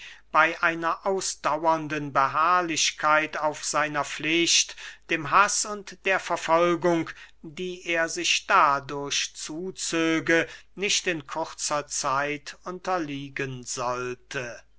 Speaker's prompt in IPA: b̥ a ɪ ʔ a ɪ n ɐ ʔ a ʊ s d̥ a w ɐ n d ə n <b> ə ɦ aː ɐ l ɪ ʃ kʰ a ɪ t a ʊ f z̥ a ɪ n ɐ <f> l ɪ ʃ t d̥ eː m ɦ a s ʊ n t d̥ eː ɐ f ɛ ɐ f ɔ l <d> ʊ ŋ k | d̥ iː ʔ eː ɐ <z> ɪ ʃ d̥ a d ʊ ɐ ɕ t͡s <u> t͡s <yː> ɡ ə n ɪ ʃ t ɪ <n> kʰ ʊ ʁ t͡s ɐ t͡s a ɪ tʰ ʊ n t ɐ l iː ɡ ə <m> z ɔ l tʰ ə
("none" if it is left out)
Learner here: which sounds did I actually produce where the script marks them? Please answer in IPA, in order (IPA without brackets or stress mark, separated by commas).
b, f, ɡ, z, uː, øː, n, n